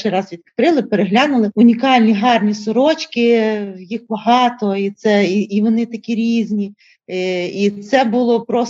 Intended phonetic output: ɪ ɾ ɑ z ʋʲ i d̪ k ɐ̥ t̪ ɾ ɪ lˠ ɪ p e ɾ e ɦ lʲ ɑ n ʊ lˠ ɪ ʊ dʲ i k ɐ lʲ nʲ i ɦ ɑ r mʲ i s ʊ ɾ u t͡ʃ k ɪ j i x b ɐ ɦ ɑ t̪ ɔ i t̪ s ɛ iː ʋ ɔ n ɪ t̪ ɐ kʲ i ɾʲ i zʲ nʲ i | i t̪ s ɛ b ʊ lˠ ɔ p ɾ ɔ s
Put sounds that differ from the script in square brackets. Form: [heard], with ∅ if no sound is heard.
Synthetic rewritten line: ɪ ɾ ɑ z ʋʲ i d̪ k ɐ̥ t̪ ɾ ɪ lˠ ɪ p e ɾ e ɦ lʲ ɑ n ʊ lˠ ɪ ʊ [nʲ] i k [ɑ] lʲ nʲ i ɦ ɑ r [nʲ] i s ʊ ɾ [ɔ] t͡ʃ k ɪ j i x b ɐ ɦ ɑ t̪ ɔ i t̪ s ɛ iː ʋ ɔ n ɪ t̪ ɐ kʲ i ɾʲ i zʲ nʲ i | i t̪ s ɛ b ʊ lˠ ɔ p ɾ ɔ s